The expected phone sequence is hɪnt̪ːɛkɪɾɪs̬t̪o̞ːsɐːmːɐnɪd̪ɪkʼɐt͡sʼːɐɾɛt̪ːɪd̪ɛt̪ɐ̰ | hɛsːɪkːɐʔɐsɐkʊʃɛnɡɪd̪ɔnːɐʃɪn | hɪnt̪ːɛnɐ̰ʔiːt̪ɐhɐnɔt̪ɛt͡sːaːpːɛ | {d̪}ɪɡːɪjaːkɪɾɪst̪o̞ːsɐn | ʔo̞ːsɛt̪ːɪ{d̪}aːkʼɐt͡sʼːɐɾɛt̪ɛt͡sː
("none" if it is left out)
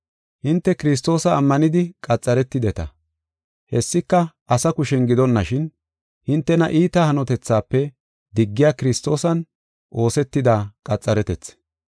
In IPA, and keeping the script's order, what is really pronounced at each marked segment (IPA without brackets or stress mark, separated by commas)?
d̪, d̪